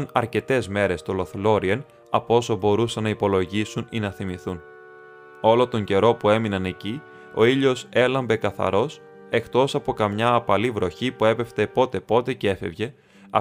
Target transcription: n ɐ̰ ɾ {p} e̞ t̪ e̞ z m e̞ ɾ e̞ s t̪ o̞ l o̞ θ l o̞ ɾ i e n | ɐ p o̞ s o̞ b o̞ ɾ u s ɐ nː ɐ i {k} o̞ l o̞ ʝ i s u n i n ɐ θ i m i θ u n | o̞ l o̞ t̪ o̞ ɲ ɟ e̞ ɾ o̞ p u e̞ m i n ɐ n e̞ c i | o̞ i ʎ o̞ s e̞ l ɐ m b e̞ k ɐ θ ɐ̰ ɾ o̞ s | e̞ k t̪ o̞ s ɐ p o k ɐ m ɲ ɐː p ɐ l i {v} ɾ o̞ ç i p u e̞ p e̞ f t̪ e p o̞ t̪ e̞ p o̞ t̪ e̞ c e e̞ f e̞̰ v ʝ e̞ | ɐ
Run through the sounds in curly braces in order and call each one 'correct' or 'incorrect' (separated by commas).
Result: incorrect, incorrect, correct